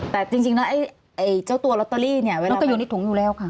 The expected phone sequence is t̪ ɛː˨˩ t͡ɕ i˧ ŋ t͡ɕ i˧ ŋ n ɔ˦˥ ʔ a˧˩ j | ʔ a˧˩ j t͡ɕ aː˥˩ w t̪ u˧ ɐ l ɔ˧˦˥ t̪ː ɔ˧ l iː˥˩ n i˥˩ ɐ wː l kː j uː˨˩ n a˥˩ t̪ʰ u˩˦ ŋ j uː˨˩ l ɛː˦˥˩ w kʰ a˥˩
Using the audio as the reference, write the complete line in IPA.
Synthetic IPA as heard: t̪ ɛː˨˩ t͡ɕ i˧ ŋ t͡ɕ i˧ ŋ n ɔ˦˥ ʔ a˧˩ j | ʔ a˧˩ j t͡ɕ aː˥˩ w t̪ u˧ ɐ l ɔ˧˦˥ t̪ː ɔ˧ l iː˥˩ n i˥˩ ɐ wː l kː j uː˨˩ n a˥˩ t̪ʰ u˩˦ ŋ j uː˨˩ l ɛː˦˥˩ w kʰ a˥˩